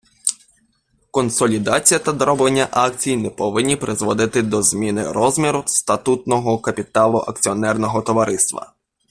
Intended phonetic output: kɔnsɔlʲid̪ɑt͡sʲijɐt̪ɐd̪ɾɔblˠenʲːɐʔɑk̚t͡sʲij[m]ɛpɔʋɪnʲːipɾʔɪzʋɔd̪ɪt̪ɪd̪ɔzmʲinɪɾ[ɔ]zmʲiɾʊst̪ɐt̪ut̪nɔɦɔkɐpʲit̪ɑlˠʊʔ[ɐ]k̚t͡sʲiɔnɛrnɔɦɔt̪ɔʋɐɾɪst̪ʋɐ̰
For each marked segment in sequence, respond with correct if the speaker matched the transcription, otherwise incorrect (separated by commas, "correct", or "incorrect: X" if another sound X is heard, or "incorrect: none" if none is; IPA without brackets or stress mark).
incorrect: n, correct, correct